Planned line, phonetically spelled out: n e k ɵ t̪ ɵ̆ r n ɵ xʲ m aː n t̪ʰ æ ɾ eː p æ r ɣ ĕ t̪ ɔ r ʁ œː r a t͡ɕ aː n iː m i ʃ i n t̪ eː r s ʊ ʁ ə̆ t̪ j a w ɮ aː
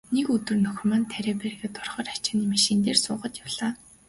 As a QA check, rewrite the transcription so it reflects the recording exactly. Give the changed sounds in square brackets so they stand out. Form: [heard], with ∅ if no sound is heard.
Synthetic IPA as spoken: n e k ɵ t̪ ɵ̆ r n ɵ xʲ m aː n t̪ʰ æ ɾ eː p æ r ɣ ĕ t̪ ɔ r [χ] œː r a t͡ɕ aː n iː m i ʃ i n t̪ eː r s [ʊː] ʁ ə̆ t̪ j a w ɮ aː